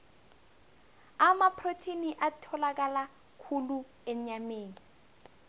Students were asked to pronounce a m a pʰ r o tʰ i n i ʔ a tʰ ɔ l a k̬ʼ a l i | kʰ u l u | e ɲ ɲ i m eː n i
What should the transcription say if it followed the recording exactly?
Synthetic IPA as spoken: a m a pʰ r o tʰ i n i ʔ a tʰ ɔ l a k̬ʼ a l a | kʰ u l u | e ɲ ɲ a m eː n i